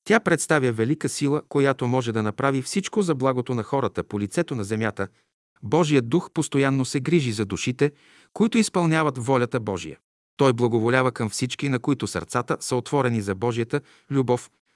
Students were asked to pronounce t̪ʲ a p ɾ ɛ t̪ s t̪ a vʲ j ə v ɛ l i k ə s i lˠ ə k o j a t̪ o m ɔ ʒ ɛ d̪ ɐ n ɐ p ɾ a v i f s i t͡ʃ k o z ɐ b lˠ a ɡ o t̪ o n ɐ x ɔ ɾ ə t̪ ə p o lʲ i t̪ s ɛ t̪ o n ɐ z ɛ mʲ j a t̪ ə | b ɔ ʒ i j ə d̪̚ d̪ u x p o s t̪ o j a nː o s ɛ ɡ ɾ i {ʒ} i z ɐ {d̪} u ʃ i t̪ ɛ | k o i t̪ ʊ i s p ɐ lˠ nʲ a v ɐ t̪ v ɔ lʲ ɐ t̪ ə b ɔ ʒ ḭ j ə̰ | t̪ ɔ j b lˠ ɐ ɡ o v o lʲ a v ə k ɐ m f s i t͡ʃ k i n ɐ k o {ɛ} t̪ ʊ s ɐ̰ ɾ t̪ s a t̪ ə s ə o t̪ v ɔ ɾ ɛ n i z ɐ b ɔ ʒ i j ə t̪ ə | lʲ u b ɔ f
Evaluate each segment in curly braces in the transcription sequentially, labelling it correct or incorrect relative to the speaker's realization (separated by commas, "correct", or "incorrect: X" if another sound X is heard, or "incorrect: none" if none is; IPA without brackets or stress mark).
correct, correct, incorrect: i